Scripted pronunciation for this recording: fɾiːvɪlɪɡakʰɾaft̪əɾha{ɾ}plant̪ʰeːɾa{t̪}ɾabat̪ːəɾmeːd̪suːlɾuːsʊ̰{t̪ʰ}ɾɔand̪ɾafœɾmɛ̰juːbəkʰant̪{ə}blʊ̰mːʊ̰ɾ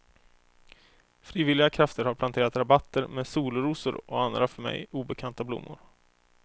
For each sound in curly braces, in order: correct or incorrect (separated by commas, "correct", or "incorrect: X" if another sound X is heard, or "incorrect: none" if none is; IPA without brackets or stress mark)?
correct, correct, incorrect: none, incorrect: a